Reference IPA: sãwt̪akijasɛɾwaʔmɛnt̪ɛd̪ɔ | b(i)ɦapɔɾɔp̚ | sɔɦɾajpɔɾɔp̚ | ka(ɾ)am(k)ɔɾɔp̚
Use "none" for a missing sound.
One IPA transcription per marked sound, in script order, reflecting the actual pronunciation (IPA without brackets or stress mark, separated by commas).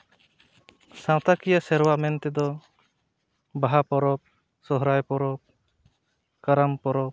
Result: a, ɾ, p